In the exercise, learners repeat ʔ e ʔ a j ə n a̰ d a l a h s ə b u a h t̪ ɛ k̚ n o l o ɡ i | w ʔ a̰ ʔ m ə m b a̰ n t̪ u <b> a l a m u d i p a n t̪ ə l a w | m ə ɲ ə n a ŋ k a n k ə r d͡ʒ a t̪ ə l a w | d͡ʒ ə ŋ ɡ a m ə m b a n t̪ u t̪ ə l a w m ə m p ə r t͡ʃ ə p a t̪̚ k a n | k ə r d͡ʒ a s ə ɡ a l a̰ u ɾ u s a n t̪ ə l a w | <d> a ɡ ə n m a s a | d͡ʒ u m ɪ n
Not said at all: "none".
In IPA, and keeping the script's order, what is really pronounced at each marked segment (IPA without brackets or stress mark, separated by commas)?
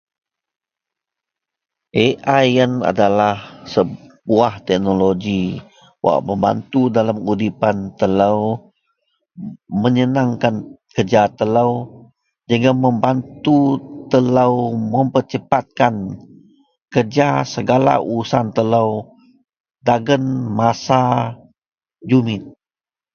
d, d